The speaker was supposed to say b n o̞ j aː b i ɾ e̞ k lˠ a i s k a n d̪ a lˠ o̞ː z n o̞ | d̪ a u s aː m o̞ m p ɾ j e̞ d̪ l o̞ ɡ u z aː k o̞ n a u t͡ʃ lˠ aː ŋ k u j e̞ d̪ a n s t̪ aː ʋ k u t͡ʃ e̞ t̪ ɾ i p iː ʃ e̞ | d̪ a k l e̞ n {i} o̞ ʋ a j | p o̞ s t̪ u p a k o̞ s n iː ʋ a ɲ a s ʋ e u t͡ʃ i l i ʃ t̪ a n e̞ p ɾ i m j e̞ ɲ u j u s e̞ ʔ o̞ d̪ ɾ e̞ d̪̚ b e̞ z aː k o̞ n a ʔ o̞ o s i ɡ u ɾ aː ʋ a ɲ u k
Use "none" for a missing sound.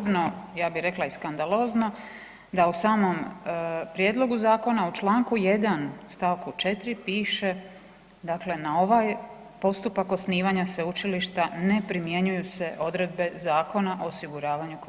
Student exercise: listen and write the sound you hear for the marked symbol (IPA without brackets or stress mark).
a